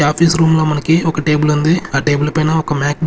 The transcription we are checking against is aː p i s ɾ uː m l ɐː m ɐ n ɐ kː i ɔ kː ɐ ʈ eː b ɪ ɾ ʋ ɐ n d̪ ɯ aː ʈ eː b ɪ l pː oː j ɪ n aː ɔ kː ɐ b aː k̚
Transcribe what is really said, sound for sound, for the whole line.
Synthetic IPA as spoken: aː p i s ɾ uː m l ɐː m ɐ n ɐ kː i ɔ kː ɐ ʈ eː b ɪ l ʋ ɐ n d̪ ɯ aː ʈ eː b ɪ l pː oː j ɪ n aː ɔ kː ɐ m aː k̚